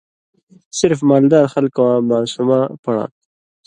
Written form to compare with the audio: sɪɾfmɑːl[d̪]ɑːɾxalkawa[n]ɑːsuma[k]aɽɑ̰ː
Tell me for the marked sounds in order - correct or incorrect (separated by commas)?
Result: correct, incorrect, incorrect